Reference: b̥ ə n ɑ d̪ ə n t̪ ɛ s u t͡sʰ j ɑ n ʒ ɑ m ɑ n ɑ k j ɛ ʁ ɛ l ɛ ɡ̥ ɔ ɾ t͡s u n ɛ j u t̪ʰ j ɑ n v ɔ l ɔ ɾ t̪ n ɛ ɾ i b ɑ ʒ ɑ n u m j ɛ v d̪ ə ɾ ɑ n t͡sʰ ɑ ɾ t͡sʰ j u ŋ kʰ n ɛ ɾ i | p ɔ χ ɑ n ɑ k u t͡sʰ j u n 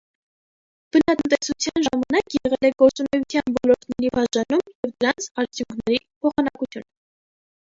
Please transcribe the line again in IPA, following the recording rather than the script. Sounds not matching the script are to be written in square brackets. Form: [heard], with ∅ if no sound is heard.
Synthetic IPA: b̥ ə n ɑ [t̪] ə n t̪ ɛ s u t͡sʰ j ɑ n ʒ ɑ m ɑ n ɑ k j ɛ ʁ ɛ l ɛ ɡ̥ ɔ ɾ t͡s u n ɛ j u t̪ʰ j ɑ n v ɔ l ɔ ɾ t̪ n ɛ ɾ i b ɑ ʒ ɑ n u m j ɛ v d̪ ə ɾ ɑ n t͡sʰ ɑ ɾ t͡sʰ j u ŋ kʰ n ɛ ɾ i | [pʰ] ɔ χ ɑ n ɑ k u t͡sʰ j u n